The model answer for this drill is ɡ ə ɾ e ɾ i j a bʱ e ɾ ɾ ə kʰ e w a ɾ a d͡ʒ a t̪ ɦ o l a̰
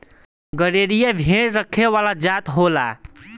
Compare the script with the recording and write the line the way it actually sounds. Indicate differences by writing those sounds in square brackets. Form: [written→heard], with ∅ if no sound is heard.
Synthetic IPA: ɡ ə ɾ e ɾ i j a bʱ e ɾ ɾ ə kʰ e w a [ɾ→l] a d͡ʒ a t̪ ɦ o l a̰